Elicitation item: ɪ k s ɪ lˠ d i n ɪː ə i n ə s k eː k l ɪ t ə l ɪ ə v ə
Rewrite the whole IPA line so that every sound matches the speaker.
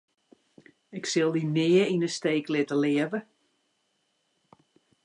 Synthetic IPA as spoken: ɪ k s ɪ lˠ d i n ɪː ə i n ə s t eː k l ɪ t ə l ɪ ə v ə